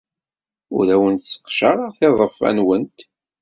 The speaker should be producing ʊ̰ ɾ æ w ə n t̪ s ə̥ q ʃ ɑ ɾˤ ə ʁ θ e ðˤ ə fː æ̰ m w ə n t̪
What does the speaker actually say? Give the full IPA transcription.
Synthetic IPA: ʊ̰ ɾ æ w ə n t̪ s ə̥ q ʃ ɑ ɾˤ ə ʁ θ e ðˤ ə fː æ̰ n w ə n t̪